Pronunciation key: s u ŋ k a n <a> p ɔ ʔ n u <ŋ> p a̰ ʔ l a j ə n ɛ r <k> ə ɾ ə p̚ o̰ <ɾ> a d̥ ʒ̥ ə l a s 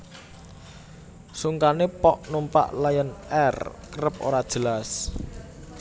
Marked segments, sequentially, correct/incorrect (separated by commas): incorrect, incorrect, correct, correct